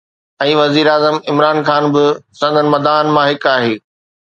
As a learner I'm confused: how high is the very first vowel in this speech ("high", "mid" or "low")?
mid